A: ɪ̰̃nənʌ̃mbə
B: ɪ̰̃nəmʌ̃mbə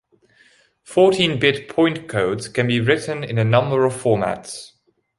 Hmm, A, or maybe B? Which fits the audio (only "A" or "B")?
A